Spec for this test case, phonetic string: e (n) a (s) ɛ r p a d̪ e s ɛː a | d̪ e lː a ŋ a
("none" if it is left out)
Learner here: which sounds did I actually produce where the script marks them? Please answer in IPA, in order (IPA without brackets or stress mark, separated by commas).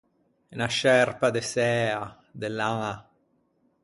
n, ʃ